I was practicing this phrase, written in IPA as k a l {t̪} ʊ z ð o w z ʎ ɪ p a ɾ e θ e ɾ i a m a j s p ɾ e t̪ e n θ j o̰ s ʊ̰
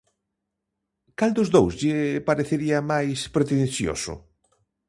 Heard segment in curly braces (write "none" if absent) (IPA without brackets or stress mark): d̪